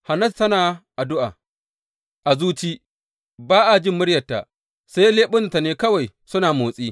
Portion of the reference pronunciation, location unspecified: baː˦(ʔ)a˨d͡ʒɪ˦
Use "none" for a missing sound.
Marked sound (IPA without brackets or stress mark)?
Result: ʔ